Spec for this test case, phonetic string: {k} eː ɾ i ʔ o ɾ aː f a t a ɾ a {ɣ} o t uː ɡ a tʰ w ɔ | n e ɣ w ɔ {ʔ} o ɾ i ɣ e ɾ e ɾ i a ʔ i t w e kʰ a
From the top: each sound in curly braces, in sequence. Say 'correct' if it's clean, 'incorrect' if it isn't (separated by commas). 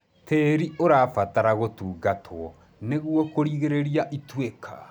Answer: incorrect, correct, incorrect